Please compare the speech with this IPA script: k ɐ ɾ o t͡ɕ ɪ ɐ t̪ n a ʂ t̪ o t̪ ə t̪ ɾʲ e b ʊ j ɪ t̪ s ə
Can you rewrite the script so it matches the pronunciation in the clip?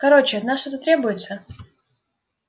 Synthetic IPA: k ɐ ɾ o t͡ɕ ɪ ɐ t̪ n a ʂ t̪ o t̪ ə t̪ ɾʲ e b ʊ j ɪ t̪ s ə